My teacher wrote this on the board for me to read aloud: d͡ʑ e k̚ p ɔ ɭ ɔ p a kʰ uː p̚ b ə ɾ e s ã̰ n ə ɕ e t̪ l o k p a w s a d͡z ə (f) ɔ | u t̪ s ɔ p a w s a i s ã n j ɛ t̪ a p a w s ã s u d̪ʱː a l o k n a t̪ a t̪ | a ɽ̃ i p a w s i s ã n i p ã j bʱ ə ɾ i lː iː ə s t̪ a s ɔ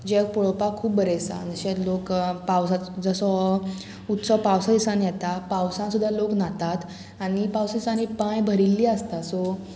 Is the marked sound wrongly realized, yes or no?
yes